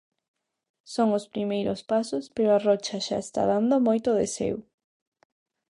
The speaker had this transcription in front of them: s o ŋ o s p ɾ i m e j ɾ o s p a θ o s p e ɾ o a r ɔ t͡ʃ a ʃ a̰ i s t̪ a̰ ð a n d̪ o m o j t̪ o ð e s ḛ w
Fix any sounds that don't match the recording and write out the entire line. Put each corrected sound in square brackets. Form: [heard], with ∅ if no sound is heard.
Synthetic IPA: s o ŋ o s p ɾ i m e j ɾ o s p a [s] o s p e ɾ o a r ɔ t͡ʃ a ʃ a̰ [e] s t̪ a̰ ð a n d̪ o m o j t̪ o ð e s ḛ w